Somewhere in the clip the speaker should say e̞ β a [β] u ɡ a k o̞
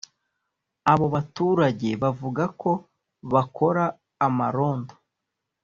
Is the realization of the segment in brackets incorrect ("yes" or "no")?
yes